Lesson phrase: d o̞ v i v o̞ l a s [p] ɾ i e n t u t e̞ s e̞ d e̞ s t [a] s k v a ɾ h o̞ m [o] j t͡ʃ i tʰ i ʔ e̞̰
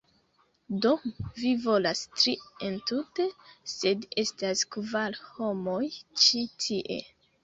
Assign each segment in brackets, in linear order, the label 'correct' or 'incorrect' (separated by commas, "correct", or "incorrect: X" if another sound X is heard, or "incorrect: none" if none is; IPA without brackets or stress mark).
incorrect: t, correct, correct